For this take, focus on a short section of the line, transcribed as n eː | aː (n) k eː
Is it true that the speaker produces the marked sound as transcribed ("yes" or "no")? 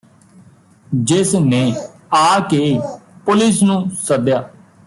no